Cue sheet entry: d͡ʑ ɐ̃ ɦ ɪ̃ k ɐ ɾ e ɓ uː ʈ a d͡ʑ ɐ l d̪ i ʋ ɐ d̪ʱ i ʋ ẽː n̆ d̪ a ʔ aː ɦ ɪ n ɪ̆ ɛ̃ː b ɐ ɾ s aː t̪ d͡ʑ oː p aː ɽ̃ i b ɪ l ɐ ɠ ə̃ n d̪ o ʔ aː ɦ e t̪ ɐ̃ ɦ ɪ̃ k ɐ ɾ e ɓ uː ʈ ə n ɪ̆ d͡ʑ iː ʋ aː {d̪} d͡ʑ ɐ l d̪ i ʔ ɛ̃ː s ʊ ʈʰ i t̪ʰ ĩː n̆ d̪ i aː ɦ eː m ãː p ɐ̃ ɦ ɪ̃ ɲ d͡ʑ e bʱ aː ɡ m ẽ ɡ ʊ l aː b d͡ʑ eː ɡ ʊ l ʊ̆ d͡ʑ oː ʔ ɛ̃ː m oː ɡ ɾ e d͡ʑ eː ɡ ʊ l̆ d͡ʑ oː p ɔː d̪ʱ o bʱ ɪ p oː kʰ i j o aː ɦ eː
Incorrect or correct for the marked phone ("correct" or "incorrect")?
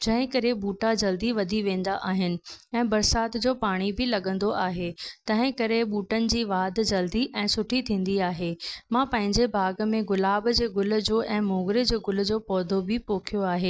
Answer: correct